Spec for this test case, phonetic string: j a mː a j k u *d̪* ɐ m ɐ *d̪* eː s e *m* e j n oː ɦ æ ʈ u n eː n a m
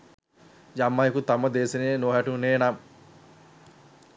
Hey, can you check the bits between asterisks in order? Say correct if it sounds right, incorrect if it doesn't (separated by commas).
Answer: incorrect, correct, incorrect